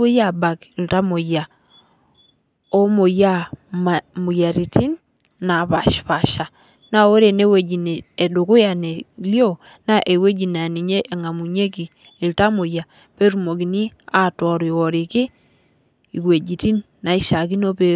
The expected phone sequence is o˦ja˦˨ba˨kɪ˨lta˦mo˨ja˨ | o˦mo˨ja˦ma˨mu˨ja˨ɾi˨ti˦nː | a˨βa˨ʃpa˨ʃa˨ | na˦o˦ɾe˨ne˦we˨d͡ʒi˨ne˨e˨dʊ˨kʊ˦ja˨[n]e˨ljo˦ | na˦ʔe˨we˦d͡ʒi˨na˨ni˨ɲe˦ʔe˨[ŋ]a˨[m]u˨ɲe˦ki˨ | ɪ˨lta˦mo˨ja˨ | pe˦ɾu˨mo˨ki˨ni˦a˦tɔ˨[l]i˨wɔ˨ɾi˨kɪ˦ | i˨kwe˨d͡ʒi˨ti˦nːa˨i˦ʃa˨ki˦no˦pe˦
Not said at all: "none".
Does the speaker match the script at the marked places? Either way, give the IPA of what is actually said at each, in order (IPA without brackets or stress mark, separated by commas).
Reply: n, ŋ, m, ɾ